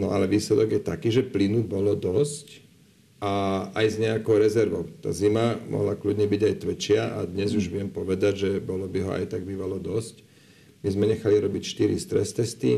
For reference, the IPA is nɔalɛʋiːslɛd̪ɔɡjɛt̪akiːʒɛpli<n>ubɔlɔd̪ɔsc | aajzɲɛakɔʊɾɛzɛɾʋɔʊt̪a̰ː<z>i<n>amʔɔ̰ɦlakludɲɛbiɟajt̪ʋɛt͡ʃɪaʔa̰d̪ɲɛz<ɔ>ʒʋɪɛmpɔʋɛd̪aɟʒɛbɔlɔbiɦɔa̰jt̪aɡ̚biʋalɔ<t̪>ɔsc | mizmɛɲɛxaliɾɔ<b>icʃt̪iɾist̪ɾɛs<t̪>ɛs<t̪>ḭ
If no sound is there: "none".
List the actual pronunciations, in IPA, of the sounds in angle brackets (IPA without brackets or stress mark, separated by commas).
n, z, m, u, d̪, b, t̪, t̪